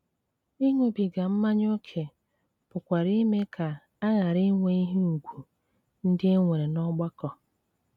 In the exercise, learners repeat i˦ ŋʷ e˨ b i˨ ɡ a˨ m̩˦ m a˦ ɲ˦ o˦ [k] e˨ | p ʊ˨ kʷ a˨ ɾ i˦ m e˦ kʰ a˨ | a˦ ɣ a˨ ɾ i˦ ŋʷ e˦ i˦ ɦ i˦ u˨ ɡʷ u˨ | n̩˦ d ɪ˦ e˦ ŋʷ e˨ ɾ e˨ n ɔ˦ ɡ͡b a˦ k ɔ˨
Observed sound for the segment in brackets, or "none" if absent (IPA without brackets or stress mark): kʰ